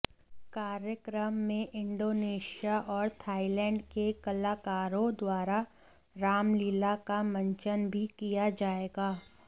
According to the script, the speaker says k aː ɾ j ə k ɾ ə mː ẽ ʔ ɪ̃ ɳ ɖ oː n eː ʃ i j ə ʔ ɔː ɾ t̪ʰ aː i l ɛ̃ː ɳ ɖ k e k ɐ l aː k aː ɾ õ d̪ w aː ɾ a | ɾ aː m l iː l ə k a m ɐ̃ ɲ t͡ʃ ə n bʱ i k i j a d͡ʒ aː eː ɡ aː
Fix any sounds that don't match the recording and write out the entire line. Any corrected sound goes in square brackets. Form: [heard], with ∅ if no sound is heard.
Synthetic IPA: k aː ɾ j ə k ɾ ə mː ẽ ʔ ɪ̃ ɳ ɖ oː n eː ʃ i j [a] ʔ ɔː ɾ t̪ʰ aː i l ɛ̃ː ɳ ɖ k e k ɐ l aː k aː ɾ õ d̪ w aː ɾ a | ɾ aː m l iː l [a] k a m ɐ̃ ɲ t͡ʃ ə n bʱ i k i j a d͡ʒ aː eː ɡ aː

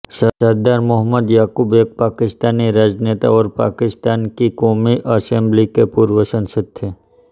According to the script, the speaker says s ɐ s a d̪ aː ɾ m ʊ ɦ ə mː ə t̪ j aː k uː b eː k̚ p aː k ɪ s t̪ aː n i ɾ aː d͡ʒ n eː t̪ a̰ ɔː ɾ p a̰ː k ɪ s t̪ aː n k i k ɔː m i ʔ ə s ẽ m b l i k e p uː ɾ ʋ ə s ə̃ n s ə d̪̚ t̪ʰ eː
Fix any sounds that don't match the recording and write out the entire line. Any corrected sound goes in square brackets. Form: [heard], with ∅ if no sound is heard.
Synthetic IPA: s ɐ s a d̪ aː ɾ m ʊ ɦ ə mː ə [d̪] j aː k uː b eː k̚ p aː k ɪ s t̪ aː n i ɾ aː d͡ʒ n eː t̪ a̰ ɔː ɾ p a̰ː k ɪ s t̪ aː n k i k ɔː m i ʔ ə s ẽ m b l i k e p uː ɾ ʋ ə s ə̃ n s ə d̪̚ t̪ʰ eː

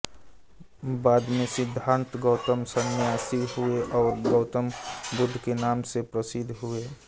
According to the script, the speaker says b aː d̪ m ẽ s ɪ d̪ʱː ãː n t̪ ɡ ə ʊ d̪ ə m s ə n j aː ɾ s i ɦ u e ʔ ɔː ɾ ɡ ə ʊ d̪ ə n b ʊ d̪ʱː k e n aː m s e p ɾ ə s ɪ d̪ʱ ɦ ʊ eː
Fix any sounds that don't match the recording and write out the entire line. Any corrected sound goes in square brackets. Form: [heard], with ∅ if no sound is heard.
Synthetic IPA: b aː d̪ m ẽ s ɪ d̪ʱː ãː n t̪ ɡ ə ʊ [t̪] ə m s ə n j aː [∅] s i ɦ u e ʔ ɔː ɾ ɡ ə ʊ [t̪] ə [m] b ʊ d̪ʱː k e n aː m s e p ɾ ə s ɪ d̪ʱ ɦ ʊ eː

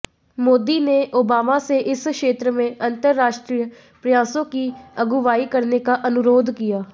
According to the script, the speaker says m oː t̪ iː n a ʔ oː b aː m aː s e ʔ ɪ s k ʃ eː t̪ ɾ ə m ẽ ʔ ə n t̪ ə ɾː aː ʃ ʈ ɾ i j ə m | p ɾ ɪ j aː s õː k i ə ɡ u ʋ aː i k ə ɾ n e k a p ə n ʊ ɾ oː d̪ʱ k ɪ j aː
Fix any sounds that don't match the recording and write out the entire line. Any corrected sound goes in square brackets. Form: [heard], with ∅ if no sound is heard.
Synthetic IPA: m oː [d̪] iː n [e] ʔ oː b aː m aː s e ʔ ɪ s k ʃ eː t̪ ɾ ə m ẽ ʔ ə n t̪ ə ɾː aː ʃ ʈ ɾ i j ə [∅] | p ɾ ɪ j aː s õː k i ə ɡ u ʋ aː i k ə ɾ n e k a [ʔ] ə n ʊ ɾ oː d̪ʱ k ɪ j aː

